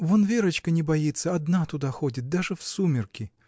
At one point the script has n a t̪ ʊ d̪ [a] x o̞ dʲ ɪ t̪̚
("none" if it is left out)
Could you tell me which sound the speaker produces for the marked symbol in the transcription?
a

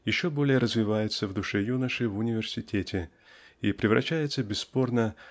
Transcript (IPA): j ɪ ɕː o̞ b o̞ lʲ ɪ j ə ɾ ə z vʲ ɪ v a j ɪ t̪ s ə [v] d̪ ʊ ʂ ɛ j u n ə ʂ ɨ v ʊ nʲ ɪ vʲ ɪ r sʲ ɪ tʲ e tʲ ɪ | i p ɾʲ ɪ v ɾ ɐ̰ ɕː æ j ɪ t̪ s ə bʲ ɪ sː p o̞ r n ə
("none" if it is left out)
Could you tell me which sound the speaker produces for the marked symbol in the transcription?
v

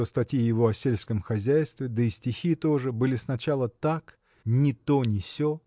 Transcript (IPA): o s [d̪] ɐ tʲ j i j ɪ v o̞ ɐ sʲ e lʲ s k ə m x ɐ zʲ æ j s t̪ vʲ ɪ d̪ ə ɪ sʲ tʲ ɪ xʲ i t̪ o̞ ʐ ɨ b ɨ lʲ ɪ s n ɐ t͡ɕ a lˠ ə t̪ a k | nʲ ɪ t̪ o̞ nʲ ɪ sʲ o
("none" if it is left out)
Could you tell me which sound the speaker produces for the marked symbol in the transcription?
t̪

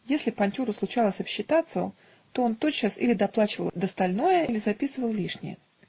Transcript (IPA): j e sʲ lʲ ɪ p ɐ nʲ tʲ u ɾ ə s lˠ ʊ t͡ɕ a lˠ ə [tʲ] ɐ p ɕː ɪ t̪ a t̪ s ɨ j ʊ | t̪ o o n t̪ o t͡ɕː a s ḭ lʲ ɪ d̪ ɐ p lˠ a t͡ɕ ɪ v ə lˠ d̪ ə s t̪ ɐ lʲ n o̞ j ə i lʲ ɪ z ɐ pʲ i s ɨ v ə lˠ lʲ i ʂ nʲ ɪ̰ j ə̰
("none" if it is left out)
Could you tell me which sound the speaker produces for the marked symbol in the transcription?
sʲ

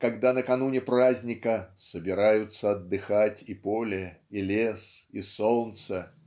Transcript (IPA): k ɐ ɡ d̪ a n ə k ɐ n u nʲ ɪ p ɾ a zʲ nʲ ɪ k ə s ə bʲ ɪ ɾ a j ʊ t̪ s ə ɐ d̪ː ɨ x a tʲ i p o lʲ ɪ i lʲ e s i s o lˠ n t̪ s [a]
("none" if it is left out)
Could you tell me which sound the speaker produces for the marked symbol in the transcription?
ə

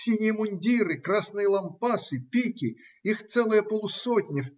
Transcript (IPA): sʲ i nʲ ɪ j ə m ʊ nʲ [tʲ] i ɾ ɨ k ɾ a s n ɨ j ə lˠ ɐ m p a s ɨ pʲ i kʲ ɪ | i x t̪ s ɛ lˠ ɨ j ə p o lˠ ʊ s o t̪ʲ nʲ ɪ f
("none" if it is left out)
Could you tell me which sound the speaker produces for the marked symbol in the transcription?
dʲ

